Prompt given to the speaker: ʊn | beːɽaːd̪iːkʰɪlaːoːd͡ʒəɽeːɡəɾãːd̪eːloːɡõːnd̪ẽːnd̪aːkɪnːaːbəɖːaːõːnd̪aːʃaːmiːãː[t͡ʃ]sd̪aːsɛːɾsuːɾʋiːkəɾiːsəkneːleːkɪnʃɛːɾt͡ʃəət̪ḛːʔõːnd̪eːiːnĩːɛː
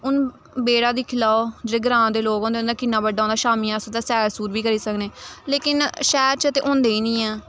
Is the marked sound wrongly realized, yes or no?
yes